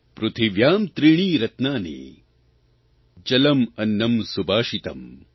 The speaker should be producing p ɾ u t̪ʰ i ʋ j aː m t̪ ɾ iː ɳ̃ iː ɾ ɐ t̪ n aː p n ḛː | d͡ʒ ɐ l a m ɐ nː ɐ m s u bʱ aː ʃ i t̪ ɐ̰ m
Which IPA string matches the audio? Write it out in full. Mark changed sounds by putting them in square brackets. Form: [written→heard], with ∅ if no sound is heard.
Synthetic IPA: p ɾ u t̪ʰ i ʋ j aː m t̪ ɾ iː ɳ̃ iː ɾ ɐ t̪ n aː [p→∅] n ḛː | d͡ʒ ɐ l [a→ɐ] m ɐ nː ɐ m s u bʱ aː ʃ i t̪ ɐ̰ m